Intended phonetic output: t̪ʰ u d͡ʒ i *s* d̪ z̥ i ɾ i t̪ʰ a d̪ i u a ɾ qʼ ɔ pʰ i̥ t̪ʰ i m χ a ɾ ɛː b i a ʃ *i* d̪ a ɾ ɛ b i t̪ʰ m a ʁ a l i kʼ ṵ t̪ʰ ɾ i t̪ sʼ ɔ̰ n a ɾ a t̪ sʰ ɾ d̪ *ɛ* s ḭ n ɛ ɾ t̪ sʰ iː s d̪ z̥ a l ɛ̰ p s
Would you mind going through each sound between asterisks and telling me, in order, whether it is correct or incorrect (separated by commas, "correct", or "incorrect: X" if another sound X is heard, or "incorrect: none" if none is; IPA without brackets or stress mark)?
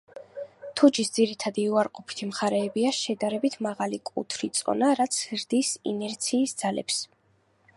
correct, incorrect: ɛ, incorrect: i